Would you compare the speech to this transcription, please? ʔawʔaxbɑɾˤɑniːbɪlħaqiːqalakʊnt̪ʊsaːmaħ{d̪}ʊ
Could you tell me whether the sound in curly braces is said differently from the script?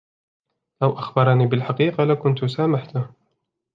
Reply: yes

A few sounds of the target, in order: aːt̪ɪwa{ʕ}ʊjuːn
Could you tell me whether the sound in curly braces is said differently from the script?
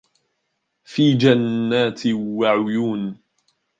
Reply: no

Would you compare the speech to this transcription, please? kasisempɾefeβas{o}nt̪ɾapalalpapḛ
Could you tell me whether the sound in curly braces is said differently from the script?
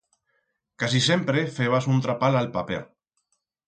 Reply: yes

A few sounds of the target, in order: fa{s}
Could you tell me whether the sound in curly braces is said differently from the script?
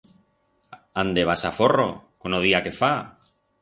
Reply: yes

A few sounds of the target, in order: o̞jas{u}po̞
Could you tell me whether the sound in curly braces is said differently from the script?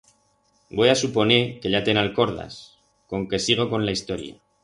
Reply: no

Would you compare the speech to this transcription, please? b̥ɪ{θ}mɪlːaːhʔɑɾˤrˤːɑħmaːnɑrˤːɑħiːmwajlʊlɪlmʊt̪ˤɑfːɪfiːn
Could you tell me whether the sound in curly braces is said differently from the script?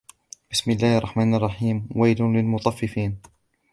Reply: yes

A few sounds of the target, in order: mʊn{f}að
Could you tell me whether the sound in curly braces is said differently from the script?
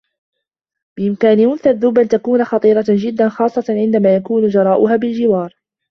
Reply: yes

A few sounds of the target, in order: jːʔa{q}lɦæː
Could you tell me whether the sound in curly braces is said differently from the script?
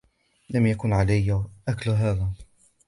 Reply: yes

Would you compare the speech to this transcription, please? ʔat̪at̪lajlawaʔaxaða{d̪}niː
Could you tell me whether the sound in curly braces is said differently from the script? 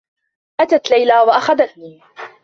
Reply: yes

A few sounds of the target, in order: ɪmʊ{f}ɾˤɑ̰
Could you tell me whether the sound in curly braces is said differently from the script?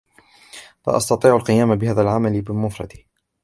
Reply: no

